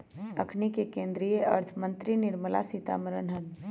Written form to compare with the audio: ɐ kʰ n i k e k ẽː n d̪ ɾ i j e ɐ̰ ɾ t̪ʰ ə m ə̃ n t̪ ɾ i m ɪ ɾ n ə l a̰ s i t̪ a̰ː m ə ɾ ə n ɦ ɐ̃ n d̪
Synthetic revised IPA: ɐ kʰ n i k e k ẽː n d̪ ɾ i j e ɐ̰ ɾ t̪ʰ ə m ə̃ n t̪ ɾ i n ɪ ɾ m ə l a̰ s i t̪ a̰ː m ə ɾ ə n ɦ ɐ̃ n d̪